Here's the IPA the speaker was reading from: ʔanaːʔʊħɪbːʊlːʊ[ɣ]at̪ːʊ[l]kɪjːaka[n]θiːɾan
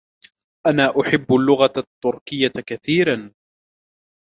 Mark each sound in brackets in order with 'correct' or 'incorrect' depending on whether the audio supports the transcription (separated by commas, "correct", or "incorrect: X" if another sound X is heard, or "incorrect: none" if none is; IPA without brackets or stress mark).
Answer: correct, incorrect: ɾ, incorrect: none